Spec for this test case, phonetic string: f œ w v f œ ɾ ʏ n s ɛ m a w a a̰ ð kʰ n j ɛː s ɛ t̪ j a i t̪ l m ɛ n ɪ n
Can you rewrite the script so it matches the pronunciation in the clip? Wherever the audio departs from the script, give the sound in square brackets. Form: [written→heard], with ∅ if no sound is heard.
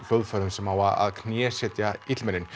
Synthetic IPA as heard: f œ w [v→ð] f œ ɾ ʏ [n→m] s ɛ m a w a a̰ ð kʰ n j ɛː s ɛ t̪ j a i t̪ l m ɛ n ɪ n